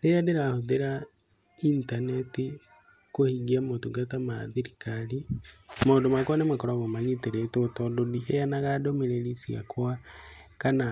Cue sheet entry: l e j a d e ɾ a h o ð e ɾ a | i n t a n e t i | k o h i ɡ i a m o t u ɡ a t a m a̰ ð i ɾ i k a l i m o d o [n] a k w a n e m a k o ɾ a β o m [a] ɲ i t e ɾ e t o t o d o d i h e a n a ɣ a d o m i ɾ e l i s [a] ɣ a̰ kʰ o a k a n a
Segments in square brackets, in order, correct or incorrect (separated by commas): incorrect, correct, incorrect